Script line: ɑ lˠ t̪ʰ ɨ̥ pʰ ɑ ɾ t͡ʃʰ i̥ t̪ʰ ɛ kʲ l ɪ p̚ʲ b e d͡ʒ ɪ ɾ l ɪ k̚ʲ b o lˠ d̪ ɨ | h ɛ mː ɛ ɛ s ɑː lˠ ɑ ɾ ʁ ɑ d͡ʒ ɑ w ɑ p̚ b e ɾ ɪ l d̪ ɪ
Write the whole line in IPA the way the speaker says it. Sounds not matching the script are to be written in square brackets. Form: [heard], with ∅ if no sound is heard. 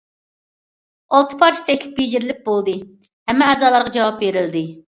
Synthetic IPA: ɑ lˠ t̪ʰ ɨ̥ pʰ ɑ ɾ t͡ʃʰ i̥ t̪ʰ ɛ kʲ l ɪ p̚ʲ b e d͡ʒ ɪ ɾ l ɪ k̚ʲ b o lˠ d̪ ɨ | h ɛ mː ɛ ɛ [z] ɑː lˠ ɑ ɾ ʁ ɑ d͡ʒ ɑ w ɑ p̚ b e ɾ ɪ l d̪ ɪ